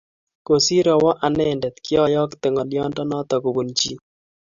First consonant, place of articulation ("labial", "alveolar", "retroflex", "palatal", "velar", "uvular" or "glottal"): velar